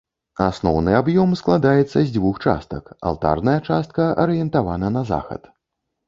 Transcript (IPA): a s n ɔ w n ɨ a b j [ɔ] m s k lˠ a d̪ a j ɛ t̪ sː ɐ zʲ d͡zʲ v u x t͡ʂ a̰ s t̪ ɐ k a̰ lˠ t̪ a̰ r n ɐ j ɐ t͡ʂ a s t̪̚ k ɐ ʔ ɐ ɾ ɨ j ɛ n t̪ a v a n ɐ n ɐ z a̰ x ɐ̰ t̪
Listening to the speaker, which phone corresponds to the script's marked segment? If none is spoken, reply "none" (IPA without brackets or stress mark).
ɔ